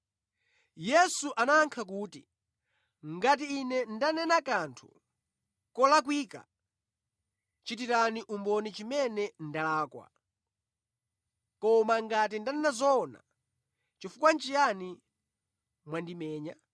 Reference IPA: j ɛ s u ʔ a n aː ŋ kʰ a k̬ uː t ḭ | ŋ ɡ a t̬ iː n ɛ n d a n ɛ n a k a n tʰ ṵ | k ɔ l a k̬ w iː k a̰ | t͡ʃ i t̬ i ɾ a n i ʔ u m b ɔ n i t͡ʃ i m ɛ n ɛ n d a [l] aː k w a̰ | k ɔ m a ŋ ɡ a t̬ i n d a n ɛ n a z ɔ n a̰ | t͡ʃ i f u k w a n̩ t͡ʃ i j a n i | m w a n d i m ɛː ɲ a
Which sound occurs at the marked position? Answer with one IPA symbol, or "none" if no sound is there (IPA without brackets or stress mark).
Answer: l